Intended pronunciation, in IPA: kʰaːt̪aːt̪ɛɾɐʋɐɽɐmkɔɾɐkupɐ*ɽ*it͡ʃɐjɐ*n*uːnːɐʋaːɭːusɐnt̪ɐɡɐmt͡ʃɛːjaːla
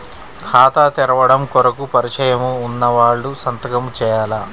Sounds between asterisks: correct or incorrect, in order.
incorrect: ɾ, incorrect: m

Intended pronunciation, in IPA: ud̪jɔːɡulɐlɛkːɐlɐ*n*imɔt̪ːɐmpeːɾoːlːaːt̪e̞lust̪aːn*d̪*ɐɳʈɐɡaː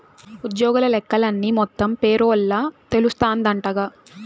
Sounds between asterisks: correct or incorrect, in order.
incorrect: nː, correct

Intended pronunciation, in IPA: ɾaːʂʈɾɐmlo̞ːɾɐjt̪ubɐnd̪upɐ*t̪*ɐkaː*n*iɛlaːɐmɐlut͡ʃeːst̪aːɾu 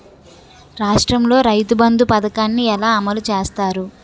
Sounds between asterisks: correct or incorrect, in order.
incorrect: d̪, incorrect: nː

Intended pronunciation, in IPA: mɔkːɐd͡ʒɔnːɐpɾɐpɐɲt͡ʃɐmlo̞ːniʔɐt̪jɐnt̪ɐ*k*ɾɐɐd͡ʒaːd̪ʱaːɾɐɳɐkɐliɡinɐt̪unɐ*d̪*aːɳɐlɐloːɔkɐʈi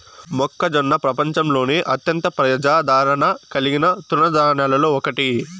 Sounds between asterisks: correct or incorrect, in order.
incorrect: p, correct

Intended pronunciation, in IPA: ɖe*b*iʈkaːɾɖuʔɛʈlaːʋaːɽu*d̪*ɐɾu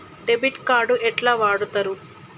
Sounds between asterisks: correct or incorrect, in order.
correct, incorrect: t̪

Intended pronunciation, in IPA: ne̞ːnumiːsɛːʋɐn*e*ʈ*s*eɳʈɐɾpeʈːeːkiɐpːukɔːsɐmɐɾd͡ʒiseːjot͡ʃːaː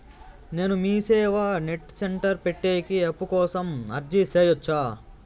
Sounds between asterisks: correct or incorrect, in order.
correct, correct

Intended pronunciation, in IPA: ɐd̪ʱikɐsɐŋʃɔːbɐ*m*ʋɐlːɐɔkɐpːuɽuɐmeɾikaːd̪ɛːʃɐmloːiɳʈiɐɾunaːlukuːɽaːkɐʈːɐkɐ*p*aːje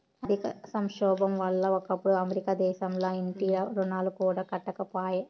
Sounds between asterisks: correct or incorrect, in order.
correct, correct

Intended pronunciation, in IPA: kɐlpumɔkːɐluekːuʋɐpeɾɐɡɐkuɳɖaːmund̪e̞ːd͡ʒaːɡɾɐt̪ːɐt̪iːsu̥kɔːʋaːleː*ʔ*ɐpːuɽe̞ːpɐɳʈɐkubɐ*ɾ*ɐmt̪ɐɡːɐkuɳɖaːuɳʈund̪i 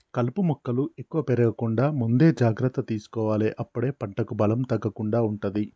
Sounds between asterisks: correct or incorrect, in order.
correct, incorrect: l

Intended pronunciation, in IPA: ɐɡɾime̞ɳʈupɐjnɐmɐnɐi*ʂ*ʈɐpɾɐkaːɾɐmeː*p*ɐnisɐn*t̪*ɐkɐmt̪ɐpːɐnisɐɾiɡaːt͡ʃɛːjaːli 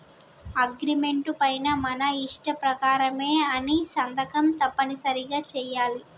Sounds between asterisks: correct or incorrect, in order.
correct, incorrect: none, incorrect: d̪

